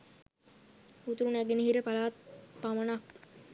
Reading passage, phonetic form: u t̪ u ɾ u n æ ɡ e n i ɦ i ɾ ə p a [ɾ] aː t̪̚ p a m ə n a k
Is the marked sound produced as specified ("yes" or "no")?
no